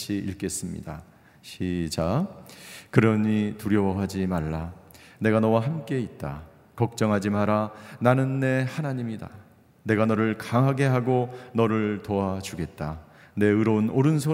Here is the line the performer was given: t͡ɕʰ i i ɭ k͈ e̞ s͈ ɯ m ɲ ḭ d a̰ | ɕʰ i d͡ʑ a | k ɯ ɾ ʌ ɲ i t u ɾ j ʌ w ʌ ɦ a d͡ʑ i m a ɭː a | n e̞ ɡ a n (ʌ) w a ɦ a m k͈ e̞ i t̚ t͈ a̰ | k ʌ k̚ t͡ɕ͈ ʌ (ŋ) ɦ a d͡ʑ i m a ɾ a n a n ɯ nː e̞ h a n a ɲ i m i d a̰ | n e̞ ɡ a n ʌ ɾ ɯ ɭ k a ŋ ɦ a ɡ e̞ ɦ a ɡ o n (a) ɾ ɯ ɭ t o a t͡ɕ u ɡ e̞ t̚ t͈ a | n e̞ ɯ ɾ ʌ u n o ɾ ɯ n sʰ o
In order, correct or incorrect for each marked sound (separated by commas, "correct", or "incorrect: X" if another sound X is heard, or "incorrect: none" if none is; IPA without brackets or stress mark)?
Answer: correct, correct, incorrect: ʌ